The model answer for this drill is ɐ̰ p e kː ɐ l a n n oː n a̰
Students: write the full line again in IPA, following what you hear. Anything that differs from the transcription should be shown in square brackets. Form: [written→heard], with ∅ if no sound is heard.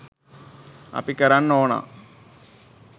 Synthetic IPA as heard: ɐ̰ p [e→i] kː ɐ [l→ɾ] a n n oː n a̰